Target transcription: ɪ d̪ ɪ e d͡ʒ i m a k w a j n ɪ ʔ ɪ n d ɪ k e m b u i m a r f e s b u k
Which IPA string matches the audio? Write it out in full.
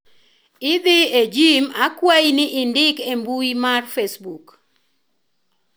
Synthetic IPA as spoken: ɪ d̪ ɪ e d͡ʒ i m a k w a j n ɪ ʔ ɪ n d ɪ k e m b u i m a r f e s b u k